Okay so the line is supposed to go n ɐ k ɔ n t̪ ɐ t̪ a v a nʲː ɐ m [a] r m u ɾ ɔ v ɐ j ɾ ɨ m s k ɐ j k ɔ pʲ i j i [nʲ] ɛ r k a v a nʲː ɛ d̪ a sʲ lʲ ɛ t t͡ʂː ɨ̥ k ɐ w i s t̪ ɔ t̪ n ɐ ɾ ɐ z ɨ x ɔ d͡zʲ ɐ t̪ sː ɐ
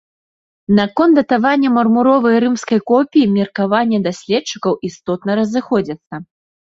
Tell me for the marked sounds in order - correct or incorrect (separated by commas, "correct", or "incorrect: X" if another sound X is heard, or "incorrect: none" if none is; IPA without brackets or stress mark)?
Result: incorrect: ɐ, incorrect: mʲ